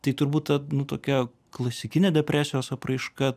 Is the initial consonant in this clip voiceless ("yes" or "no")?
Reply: yes